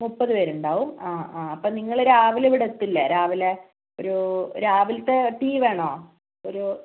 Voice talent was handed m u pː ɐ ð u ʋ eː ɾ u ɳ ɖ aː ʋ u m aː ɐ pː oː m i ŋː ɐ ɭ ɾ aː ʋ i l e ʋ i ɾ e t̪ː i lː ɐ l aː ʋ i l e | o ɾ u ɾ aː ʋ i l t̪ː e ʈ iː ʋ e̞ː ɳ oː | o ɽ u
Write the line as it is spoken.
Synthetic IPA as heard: m u pː ɐ ð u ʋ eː ɾ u ɳ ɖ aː ʋ u m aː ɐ pː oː n i ŋː ɐ ɭ ɾ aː ʋ i l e ʋ i ɽ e t̪ː i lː ɐ ɾ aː ʋ i l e | o ɾ u ɾ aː ʋ i l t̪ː e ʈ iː ʋ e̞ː ɳ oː | o ɾ u